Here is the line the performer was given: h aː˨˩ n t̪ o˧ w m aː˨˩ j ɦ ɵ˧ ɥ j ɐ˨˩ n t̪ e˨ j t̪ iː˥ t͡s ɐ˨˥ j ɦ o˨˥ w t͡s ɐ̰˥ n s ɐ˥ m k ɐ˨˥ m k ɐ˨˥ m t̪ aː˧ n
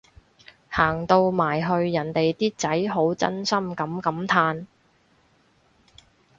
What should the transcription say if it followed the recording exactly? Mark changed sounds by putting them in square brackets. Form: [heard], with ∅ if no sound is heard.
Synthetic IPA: h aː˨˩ [ŋ] t̪ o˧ w m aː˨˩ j ɦ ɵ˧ ɥ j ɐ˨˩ n t̪ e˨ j t̪ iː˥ t͡s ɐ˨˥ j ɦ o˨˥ w t͡s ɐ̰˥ n s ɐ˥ m k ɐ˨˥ m k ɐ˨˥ m [t̪ʰ] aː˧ n